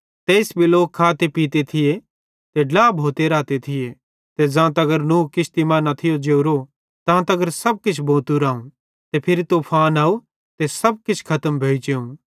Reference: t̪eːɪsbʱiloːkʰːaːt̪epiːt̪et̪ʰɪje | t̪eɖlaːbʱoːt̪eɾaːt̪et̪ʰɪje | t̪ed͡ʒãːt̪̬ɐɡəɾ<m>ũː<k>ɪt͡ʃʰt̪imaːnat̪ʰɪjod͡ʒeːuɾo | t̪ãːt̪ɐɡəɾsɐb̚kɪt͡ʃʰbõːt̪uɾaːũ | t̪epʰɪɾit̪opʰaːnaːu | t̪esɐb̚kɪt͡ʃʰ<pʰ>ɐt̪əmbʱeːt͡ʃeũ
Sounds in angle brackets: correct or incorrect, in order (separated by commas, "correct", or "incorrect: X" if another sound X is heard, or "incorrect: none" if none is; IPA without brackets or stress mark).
incorrect: n, correct, incorrect: kʰ